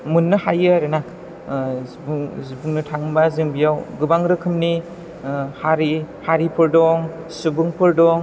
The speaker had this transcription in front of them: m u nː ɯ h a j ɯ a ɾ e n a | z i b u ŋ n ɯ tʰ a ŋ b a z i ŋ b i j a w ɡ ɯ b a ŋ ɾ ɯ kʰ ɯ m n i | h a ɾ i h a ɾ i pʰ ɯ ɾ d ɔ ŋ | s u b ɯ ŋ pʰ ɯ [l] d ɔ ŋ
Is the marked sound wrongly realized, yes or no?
yes